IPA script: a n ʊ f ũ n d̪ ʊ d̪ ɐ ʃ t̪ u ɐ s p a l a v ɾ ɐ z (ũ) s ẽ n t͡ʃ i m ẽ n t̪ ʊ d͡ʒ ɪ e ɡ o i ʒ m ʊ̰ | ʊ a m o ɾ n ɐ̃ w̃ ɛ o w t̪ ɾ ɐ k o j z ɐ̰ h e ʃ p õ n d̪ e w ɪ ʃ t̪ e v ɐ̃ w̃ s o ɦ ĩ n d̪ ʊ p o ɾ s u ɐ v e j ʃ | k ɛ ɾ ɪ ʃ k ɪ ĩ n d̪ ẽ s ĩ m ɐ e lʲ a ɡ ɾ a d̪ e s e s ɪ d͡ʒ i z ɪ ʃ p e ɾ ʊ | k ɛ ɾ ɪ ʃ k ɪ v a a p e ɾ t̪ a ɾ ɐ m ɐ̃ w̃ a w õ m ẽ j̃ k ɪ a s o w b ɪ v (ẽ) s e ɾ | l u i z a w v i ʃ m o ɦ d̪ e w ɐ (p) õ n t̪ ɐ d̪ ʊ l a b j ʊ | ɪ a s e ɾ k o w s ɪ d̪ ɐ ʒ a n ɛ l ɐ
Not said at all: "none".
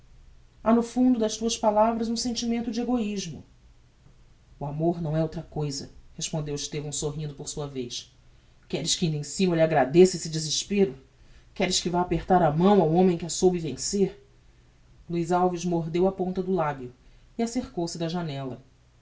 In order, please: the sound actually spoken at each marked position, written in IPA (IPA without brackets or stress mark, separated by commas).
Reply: ũ, ẽ, p